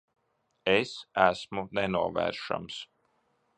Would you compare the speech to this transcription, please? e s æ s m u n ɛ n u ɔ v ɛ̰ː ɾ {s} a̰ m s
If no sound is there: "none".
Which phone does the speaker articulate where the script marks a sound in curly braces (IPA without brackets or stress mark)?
ʃ